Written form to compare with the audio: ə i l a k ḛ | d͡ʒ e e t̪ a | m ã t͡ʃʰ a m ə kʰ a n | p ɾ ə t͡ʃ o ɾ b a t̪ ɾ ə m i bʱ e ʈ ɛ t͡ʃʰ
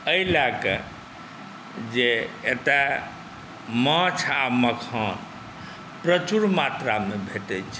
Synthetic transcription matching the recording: ə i l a k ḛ | d͡ʒ e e t̪ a | m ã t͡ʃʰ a m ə kʰ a n | p ɾ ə t͡ʃ u ɾ m a t̪ ɾ a m e bʱ e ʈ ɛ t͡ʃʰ